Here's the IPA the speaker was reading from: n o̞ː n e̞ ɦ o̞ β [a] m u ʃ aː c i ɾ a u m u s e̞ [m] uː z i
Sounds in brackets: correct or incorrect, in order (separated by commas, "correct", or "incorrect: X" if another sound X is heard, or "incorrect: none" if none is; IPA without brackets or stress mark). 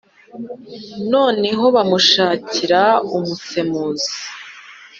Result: correct, correct